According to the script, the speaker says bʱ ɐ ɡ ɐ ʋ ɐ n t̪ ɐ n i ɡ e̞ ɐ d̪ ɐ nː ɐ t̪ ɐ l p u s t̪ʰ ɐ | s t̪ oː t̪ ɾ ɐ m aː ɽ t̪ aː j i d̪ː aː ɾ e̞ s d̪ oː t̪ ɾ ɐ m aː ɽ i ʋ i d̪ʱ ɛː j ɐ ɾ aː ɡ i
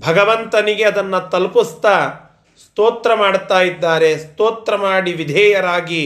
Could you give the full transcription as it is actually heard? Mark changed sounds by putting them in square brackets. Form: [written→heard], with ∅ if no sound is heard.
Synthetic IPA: bʱ ɐ ɡ ɐ ʋ ɐ n t̪ ɐ n i ɡ e̞ ɐ d̪ ɐ nː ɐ t̪ ɐ l p u s [t̪ʰ→t̪] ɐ | s t̪ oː t̪ ɾ ɐ m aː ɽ t̪ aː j i d̪ː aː ɾ e̞ s [d̪→t̪] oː t̪ ɾ ɐ m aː ɽ i ʋ i d̪ʱ ɛː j ɐ ɾ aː ɡ i